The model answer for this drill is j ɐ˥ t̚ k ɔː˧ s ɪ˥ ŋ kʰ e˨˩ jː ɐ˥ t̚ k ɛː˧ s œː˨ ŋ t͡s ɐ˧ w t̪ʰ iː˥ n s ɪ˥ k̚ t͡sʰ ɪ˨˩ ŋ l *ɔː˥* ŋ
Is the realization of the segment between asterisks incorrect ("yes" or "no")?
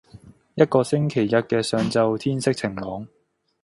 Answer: yes